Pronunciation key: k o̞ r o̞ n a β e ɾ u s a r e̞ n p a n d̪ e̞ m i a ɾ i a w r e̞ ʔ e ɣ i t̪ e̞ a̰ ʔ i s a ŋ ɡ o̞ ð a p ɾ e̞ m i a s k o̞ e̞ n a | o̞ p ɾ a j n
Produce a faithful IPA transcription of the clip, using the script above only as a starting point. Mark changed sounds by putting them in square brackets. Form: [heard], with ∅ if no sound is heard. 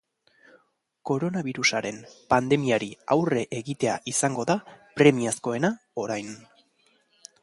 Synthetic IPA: k o̞ [ɾ] o̞ n a β [i] ɾ u s a [ɾ] e̞ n p a n d̪ e̞ m i a ɾ i a w r e̞ ʔ e ɣ i t̪ e̞ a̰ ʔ i s a ŋ ɡ o̞ ð a p ɾ e̞ m i a s k o̞ e̞ n a | o̞ [∅] ɾ a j n